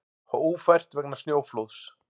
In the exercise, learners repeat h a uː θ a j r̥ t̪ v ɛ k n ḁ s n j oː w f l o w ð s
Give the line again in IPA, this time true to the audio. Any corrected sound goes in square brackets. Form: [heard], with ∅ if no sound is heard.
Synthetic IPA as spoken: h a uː [f] a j r̥ t̪ v ɛ k n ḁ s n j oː w f l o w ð s

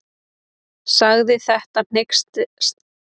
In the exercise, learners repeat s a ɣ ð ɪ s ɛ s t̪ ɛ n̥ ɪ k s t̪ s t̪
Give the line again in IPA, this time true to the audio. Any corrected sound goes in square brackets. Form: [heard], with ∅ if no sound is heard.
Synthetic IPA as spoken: s a ɣ ð ɪ [θ] ɛ [h] t̪ [a] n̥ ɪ k s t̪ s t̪

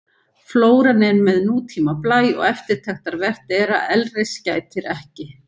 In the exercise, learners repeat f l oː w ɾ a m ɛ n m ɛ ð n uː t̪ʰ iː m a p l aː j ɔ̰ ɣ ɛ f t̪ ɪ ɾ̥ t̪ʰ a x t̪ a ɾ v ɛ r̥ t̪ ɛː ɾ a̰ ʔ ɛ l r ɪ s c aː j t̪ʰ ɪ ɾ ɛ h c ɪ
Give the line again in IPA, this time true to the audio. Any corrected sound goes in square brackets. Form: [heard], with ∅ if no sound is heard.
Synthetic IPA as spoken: f l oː w ɾ a [n] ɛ n m ɛ ð n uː t̪ʰ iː m a p l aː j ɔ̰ ɣ ɛ f t̪ ɪ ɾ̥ t̪ʰ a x t̪ a ɾ v ɛ r̥ t̪ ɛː ɾ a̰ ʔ ɛ l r ɪ s c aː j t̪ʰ ɪ ɾ ɛ h c ɪ

